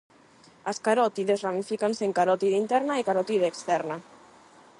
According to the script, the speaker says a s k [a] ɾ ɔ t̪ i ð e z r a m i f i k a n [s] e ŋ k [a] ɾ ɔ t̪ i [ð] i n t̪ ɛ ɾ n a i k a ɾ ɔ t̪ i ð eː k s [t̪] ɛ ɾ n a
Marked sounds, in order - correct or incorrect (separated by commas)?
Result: correct, correct, correct, correct, correct